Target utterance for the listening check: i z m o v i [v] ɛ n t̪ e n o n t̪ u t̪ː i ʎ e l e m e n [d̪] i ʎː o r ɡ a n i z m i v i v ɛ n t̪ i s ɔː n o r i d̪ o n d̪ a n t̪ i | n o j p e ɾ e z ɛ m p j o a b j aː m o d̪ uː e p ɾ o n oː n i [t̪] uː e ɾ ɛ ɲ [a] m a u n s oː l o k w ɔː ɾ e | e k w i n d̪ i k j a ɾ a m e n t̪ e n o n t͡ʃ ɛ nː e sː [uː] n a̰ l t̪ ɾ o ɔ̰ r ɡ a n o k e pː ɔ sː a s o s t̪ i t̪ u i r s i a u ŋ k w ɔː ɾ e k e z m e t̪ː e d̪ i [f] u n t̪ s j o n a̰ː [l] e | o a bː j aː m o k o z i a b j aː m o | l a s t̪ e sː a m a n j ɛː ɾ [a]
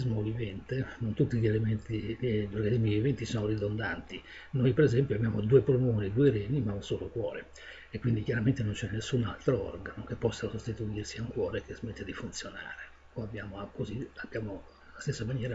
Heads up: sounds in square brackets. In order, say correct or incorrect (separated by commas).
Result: correct, incorrect, incorrect, incorrect, incorrect, correct, incorrect, correct